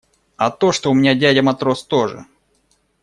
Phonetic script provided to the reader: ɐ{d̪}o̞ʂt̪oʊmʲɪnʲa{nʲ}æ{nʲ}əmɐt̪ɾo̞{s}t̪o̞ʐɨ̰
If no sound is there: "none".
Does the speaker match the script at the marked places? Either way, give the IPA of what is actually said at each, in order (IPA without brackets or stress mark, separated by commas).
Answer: t̪, dʲ, dʲ, s